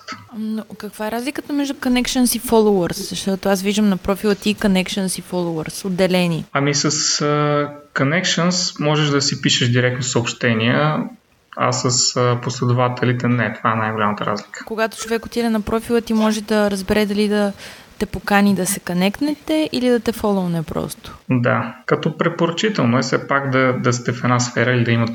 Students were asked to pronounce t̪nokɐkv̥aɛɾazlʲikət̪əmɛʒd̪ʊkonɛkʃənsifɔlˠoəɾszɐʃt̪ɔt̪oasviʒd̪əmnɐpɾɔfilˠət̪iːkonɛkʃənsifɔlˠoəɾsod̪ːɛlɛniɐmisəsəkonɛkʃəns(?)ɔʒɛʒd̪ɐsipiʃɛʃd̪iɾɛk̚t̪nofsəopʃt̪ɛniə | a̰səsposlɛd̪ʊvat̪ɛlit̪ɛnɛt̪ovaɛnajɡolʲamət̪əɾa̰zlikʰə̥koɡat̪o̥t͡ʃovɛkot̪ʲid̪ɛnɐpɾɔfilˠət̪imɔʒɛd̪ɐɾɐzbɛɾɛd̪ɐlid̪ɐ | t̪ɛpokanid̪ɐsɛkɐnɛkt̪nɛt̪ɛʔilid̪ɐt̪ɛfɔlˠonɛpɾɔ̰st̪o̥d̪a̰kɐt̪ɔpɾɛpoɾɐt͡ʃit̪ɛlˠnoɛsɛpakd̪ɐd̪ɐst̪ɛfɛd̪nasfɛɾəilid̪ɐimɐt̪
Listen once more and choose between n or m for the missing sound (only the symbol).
m